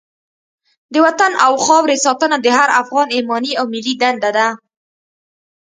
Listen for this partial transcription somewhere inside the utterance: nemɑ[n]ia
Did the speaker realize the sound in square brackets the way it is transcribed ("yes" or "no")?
yes